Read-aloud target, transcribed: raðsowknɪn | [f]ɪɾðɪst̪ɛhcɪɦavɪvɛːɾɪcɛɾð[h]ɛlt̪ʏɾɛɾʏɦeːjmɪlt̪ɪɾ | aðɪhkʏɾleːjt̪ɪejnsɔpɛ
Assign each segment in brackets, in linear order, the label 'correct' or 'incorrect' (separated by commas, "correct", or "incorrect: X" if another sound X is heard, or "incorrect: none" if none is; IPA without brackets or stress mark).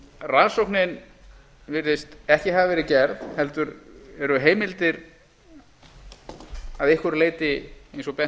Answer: incorrect: v, correct